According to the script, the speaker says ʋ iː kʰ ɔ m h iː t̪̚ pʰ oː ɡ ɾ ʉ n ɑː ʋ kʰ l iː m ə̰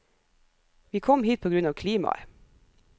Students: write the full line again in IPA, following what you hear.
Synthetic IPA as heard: ʋ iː kʰ ɔ m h iː t̪̚ pʰ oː ɡ ɾ ʉ n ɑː ʋ kʰ l iː m ɑ̰